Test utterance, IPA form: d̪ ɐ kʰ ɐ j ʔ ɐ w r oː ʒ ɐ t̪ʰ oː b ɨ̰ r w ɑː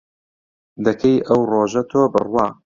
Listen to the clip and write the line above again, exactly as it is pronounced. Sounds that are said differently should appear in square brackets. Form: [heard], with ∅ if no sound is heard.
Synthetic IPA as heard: d̪ ɐ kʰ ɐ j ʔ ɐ w r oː ʒ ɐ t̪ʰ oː b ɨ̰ r w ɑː